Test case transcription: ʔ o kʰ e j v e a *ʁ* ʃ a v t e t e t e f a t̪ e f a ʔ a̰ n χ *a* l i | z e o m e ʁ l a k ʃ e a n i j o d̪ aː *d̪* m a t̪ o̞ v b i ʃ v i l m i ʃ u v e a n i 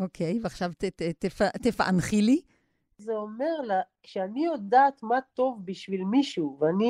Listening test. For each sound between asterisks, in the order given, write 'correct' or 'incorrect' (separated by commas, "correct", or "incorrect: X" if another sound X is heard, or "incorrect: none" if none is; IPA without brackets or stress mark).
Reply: incorrect: χ, incorrect: i, incorrect: t̪